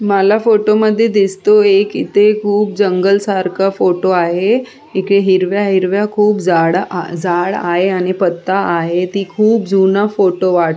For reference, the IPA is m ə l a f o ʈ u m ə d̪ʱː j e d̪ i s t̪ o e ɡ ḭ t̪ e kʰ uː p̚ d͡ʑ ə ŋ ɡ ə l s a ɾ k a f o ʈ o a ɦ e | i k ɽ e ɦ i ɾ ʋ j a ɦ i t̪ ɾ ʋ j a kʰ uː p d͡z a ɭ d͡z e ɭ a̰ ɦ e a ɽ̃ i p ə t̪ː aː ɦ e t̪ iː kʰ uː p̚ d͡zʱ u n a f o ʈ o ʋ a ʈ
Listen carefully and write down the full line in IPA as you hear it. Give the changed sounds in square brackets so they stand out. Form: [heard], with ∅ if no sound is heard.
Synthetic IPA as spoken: m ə l a f o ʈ [o] m ə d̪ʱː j e d̪ i s t̪ o e [k] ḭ t̪ e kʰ uː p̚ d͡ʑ ə ŋ ɡ ə l s a ɾ k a f o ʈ o a ɦ e | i k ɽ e ɦ i ɾ ʋ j a ɦ i [∅] ɾ ʋ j a kʰ uː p d͡z a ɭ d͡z [a] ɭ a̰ ɦ e a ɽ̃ i p ə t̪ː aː ɦ e t̪ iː kʰ uː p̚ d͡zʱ u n a f o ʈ o ʋ a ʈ